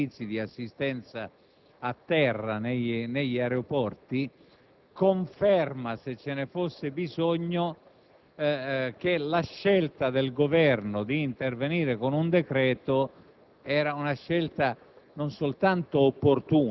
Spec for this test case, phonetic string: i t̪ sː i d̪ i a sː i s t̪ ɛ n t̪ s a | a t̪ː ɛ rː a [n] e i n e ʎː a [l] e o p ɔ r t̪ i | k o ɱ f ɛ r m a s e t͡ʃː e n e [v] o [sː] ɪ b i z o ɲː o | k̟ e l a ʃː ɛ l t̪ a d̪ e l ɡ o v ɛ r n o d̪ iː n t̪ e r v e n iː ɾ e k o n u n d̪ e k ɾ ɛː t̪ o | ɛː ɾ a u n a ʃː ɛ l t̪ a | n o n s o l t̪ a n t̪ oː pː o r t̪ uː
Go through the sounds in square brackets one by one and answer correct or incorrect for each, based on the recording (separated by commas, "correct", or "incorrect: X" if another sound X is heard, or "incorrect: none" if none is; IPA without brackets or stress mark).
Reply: correct, incorrect: ɾ, incorrect: f, correct